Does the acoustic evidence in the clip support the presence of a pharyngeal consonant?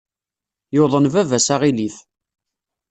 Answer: no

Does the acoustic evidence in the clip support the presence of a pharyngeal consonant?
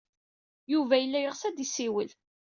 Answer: no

